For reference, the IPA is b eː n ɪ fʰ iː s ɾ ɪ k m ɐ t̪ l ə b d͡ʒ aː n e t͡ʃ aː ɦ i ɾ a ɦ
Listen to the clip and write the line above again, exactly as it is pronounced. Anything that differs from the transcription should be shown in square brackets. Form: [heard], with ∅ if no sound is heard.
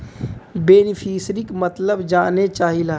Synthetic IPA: b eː n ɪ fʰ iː s ɾ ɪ k m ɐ t̪ l ə b d͡ʒ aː n e t͡ʃ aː ɦ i [l] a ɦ